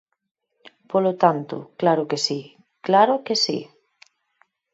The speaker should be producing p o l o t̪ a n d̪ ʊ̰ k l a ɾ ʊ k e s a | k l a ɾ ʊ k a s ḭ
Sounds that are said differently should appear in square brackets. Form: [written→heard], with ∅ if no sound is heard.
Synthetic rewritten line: p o l o t̪ a n [d̪→t̪] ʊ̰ k l a ɾ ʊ k e s [a→i] | k l a ɾ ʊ k [a→e] s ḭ